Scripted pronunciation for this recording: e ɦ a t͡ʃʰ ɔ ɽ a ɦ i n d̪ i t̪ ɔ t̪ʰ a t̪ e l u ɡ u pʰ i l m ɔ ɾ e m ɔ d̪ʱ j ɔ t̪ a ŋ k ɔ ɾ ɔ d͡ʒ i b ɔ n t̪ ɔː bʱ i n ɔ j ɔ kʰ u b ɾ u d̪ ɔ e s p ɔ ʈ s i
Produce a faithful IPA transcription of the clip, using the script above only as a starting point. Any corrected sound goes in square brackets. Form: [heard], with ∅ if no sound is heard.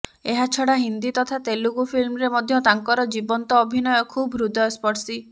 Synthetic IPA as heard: e ɦ a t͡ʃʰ ɔ ɽ a ɦ i n d̪ i t̪ ɔ t̪ʰ a t̪ e l u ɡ u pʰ i l m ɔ ɾ e m ɔ d̪ʱ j ɔ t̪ a ŋ k ɔ ɾ ɔ d͡ʒ i b ɔ n t̪ ɔː bʱ i n ɔ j ɔ kʰ u b ɾ u d̪ ɔ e s p ɔ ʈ s i